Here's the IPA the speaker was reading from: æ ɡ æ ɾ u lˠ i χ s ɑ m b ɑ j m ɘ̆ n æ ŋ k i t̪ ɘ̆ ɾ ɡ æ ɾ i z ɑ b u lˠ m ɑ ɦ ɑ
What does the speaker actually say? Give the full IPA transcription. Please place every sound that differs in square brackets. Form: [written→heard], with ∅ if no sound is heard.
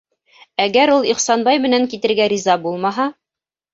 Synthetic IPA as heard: æ ɡ æ ɾ u lˠ i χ s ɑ [m→n] b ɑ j m ɘ̆ n æ ŋ k i t̪ ɘ̆ ɾ ɡ æ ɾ i z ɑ b u lˠ m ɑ ɦ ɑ